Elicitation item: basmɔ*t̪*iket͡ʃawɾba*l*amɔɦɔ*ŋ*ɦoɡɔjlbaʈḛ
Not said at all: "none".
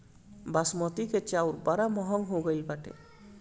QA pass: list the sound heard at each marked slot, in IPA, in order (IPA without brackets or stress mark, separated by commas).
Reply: t̪, ɾ, ŋ